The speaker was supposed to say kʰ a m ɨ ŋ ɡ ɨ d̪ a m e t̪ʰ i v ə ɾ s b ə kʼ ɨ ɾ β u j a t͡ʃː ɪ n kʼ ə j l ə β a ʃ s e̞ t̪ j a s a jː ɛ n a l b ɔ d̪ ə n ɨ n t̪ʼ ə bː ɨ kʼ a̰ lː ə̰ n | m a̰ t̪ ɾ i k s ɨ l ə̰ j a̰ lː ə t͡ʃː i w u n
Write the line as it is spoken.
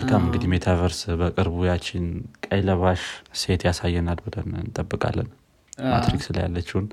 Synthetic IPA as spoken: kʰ a m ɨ ŋ ɡ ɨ d̪ i m e t̪ʰ a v ə ɾ s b ə kʼ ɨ ɾ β u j a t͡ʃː ɪ n kʼ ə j l ə β a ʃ s e̞ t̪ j a s a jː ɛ n a l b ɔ d̪ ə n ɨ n t̪ʼ ə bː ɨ kʼ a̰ lː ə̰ n | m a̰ t̪ ɾ i k s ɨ l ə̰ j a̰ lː ə t͡ʃː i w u n